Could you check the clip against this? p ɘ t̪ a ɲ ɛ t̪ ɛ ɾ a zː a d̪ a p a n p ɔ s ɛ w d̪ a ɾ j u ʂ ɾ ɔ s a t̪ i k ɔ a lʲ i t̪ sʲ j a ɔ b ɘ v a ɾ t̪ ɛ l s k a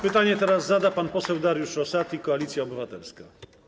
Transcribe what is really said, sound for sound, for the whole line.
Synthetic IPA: p ɘ t̪ a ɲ ɛ t̪ ɛ ɾ a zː a d̪ a p a n p ɔ s ɛ w d̪ a ɾ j u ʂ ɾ ɔ s a t̪ i k ɔ a lʲ i t̪ sʲ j a ɔ b ɘ v a t̪ ɛ l s k a